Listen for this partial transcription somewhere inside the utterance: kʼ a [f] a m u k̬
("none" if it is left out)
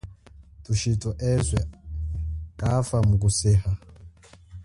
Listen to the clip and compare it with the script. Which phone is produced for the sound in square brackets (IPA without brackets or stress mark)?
f